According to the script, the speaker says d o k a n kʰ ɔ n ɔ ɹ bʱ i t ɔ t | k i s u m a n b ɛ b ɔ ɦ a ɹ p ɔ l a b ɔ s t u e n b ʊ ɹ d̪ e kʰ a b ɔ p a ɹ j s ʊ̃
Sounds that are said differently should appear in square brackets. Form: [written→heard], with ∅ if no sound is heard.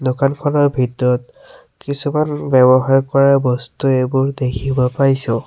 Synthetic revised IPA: d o k a n kʰ ɔ n ɔ ɹ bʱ i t ɔ t | k i s u m a n b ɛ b ɔ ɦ a ɹ [p→k] ɔ [l→ɹ] a b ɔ s t u e [n→∅] b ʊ ɹ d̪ e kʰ [a→i] b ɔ p a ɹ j s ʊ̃